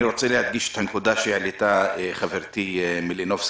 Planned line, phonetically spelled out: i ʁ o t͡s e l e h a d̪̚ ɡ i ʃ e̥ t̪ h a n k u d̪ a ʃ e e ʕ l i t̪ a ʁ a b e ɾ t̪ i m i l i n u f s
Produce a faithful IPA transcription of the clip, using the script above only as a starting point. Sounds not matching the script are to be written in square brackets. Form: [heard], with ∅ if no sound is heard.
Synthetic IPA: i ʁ o t͡s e l e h a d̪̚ ɡ i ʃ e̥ t̪ h a n k u d̪ a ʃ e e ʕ l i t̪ a [χ] a [v] e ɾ t̪ i m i l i n [o] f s